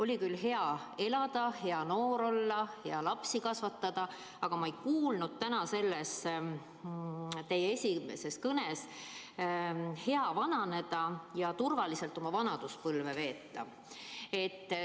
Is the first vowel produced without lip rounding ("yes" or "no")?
no